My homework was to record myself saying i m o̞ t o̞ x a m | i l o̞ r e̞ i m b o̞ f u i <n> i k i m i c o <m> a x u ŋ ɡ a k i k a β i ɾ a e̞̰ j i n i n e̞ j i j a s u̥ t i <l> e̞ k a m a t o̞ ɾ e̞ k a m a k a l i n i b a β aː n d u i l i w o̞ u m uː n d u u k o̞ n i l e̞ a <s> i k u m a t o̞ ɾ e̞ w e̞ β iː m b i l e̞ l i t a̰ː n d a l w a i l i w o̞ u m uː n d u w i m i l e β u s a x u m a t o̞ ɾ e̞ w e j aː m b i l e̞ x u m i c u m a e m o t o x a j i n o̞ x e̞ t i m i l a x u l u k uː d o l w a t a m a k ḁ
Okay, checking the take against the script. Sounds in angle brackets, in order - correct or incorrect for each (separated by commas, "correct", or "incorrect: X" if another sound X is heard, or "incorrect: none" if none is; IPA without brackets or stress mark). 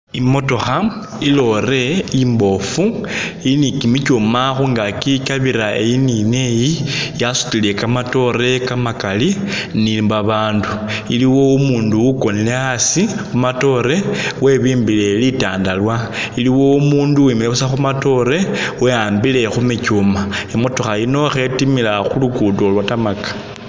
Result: correct, correct, correct, correct